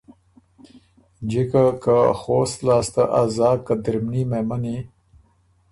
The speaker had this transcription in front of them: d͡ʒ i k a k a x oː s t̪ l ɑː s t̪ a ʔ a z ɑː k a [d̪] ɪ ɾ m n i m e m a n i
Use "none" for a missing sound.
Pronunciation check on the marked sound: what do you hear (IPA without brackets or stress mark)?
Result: d̪